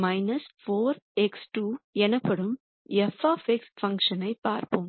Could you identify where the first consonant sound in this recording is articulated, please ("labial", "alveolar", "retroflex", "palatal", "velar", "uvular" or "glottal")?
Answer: labial